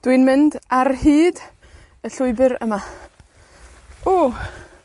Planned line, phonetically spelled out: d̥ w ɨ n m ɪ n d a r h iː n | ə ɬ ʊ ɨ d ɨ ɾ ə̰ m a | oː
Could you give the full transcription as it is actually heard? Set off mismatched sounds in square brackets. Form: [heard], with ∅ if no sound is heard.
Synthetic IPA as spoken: d̥ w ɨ n m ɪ n d a r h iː [d] | ə ɬ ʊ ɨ [b] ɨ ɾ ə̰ m a | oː